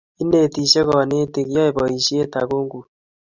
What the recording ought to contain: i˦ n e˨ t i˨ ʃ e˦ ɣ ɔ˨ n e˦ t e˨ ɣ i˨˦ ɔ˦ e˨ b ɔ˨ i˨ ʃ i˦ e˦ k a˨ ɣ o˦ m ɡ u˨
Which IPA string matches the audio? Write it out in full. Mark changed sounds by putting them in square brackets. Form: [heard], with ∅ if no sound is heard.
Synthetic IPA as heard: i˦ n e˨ t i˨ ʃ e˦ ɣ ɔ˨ n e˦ t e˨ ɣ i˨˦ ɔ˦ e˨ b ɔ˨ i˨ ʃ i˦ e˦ [t] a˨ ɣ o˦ [ŋ] ɡ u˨

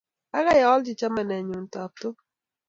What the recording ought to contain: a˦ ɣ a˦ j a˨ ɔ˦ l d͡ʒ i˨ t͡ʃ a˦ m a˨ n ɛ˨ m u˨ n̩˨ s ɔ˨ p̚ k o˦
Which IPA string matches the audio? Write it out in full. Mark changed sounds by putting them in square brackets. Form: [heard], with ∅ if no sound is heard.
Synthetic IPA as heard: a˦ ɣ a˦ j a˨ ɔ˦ l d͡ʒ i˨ t͡ʃ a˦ m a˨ n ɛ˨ [ɲ] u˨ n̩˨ [t] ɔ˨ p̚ [t] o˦

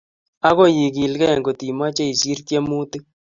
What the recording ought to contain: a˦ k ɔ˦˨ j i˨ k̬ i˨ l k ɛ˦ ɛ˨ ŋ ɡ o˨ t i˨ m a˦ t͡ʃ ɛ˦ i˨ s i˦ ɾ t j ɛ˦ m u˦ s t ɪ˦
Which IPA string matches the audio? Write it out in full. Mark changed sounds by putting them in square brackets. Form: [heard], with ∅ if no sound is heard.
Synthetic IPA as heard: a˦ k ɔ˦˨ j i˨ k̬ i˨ l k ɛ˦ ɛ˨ ŋ ɡ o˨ t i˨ m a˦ t͡ʃ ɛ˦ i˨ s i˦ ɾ t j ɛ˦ m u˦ [∅] t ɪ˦

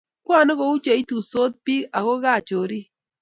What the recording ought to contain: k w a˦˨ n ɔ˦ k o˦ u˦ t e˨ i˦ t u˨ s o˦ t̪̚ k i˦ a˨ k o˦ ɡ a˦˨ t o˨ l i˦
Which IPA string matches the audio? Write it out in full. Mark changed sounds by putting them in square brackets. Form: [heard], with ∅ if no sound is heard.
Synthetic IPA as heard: k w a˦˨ n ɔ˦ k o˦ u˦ [t͡ʃ] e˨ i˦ t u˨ s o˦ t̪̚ [p] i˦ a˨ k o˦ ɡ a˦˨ [t͡ʃ] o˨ [ɾ] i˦

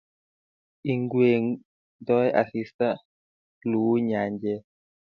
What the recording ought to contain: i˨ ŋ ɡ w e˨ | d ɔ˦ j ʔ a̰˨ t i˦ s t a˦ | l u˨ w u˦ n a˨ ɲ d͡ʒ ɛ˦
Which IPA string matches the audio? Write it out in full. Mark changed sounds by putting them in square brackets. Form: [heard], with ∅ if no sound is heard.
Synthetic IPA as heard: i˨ ŋ ɡ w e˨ | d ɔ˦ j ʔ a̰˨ [s] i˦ s t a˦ | l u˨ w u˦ [ɲ] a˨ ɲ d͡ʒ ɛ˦

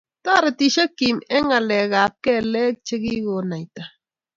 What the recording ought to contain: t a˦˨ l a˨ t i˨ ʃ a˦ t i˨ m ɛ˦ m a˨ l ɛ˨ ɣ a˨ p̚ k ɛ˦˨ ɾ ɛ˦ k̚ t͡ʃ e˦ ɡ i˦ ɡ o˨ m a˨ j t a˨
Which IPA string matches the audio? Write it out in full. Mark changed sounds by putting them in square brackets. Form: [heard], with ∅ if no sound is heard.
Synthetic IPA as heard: t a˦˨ [ɾ] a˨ t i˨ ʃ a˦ [k] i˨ m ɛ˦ [ŋ] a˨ l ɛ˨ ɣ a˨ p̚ k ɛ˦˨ [l] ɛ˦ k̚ t͡ʃ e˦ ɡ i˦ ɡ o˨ [n] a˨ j t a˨

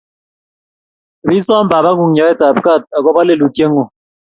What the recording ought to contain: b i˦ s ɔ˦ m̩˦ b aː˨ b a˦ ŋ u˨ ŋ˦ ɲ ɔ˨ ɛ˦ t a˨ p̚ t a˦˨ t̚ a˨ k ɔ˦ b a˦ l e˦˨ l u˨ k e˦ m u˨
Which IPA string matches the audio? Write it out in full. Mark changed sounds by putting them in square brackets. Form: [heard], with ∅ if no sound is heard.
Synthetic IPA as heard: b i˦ s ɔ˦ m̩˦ b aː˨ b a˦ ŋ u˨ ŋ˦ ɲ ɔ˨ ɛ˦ t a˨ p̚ [k] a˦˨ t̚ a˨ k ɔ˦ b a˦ l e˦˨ l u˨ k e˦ [ŋ] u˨

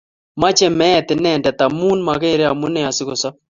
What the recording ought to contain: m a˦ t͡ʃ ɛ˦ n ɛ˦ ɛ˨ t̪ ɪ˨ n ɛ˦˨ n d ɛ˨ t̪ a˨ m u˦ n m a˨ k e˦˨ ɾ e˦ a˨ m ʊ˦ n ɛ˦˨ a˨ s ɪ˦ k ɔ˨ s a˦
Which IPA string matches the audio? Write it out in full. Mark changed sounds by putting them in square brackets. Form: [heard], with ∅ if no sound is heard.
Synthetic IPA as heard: m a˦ t͡ʃ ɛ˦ [m] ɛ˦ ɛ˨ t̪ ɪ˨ n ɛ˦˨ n d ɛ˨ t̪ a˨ m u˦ n m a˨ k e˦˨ ɾ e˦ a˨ m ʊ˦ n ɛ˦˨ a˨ s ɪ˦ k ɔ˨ s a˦

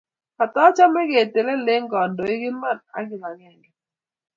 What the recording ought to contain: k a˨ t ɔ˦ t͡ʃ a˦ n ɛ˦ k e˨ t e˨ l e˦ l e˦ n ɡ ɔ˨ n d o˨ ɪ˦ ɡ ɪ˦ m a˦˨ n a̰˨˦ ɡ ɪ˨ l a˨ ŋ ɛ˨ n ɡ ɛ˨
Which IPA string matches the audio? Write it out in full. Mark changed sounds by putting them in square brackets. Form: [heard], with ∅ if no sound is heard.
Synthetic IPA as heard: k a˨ t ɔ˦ t͡ʃ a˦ [m] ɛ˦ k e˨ t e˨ l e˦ l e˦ [ŋ] ɡ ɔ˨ n d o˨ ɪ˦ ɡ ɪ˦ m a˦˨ n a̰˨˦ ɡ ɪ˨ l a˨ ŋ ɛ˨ [ŋ] ɡ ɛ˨

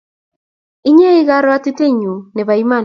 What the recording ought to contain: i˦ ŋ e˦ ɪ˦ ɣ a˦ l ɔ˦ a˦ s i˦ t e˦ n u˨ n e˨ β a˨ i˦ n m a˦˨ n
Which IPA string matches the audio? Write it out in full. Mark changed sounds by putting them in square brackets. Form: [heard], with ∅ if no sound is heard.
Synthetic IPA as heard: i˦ [ɲ] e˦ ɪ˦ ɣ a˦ [ɾ] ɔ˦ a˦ [t] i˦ t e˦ [ɲ] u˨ n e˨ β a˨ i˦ [∅] m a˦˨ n

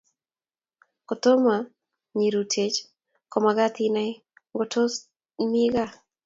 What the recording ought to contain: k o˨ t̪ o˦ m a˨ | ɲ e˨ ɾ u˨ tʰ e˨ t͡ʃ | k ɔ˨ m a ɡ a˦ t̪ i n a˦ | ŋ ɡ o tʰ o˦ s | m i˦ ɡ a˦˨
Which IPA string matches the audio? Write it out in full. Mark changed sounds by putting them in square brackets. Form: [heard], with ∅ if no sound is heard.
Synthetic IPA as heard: k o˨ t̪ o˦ m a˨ | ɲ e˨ ɾ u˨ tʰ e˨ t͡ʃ | k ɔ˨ m a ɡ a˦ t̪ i n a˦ | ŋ ɡ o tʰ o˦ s | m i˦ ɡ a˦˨

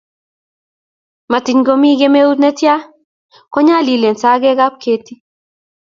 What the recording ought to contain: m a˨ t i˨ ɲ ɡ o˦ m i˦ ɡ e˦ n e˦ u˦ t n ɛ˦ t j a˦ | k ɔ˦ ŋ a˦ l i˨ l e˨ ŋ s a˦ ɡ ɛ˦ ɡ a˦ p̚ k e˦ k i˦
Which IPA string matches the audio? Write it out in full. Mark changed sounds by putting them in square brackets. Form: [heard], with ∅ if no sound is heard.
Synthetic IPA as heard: m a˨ t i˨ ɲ ɡ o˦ m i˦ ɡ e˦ [m] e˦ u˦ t n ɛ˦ t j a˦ | k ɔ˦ [ɲ] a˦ l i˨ l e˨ [n] s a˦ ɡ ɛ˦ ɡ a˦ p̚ k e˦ [t] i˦

